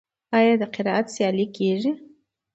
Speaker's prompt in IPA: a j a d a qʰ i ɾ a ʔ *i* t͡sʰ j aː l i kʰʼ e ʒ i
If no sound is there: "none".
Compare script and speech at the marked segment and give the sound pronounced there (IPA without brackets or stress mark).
a